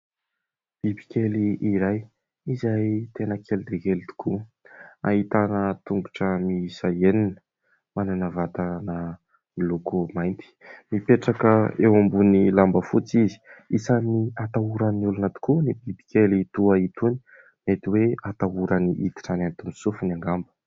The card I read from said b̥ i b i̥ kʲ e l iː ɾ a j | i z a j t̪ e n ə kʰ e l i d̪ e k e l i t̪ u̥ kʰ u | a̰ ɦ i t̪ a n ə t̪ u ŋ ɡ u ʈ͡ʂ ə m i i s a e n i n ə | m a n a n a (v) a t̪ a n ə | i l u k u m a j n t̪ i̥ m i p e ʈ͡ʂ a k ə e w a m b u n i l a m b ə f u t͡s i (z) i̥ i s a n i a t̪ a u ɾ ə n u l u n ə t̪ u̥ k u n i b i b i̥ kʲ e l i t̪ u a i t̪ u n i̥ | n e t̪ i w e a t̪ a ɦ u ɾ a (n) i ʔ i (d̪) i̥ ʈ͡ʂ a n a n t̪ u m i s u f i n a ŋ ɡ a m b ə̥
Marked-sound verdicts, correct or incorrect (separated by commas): correct, correct, correct, incorrect